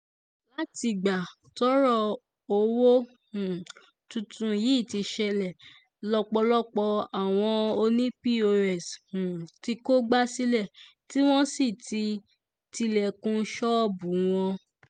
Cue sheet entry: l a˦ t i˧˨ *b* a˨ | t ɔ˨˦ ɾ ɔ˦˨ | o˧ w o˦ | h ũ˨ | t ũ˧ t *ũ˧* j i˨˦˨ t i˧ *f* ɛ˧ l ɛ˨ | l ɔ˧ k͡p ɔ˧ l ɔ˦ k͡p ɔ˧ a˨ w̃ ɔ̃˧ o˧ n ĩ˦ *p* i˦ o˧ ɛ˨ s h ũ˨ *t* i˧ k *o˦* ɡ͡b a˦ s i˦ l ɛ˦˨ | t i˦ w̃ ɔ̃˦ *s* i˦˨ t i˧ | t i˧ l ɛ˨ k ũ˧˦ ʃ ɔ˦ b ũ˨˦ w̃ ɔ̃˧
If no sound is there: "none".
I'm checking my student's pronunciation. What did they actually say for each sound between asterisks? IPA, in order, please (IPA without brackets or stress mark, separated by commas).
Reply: ɡ͡b, ũ˧, ʃ, p, t, o˦, s